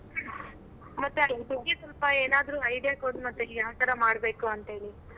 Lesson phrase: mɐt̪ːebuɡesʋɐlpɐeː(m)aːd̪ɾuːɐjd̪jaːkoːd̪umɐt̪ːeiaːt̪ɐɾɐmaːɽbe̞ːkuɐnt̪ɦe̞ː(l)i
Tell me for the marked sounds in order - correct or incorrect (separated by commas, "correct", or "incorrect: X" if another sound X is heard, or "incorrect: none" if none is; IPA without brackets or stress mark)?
incorrect: n, incorrect: ɭ